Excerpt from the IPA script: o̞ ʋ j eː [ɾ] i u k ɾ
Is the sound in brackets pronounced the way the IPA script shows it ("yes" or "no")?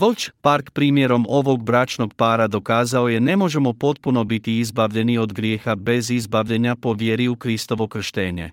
yes